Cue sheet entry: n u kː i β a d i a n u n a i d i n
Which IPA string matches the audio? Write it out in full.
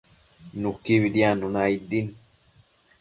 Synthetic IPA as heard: n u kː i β i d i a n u n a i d i n